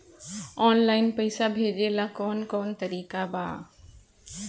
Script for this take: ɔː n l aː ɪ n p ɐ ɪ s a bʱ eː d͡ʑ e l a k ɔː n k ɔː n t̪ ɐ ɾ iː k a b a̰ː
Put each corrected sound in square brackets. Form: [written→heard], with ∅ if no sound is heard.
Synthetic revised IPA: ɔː n l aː ɪ n p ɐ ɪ s a bʱ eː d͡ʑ e l a k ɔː n k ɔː n t̪ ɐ ɾ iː k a b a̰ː